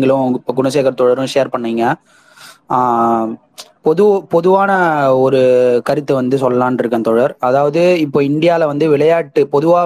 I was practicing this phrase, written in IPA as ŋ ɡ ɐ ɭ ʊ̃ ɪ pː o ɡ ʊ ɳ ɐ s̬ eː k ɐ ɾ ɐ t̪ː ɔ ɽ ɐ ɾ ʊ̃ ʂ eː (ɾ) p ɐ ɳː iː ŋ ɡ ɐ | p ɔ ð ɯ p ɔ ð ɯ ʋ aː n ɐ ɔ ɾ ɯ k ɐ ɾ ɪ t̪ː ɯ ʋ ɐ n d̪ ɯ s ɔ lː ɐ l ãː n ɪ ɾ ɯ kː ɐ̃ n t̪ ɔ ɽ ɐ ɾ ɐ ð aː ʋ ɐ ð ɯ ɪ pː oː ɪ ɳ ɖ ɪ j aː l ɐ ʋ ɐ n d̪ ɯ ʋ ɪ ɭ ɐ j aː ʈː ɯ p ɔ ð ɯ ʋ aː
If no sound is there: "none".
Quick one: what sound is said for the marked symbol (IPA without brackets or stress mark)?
ɾ